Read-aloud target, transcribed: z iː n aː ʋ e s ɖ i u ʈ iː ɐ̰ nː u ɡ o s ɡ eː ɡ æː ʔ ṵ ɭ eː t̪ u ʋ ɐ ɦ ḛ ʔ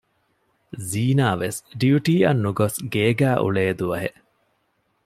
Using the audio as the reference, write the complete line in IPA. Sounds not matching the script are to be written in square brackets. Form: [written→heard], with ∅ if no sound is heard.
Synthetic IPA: z iː n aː ʋ e s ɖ i u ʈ iː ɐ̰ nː u ɡ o s ɡ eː ɡ æː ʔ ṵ ɭ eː [t̪→d̪] u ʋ ɐ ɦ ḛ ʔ